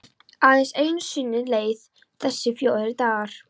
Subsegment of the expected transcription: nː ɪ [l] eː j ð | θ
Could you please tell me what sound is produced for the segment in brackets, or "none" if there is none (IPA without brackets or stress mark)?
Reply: l